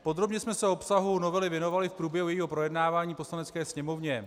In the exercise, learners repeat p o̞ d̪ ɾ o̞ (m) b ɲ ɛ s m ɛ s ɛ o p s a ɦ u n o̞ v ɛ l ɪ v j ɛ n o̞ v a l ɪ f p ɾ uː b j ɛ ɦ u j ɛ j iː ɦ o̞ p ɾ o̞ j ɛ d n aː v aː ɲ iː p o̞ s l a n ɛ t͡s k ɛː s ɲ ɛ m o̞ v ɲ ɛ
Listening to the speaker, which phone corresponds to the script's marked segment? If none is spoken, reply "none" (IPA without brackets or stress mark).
none